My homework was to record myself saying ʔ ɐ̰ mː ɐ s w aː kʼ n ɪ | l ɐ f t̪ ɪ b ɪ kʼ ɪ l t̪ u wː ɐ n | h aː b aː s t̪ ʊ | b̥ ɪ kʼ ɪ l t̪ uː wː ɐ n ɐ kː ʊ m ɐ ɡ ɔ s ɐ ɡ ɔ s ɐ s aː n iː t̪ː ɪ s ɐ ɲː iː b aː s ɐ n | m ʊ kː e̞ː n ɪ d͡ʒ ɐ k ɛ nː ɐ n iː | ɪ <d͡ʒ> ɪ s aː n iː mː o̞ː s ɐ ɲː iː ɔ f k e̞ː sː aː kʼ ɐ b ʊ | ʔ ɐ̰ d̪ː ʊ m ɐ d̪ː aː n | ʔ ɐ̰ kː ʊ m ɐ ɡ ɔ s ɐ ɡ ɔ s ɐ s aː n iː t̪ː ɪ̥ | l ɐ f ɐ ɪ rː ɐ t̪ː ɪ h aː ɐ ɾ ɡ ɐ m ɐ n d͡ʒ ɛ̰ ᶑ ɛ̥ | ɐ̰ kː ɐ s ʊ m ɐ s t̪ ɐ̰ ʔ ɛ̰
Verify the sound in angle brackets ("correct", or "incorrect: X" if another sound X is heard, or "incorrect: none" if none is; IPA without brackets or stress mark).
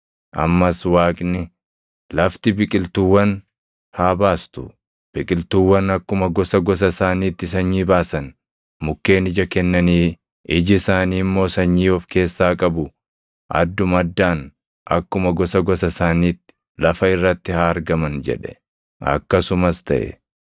correct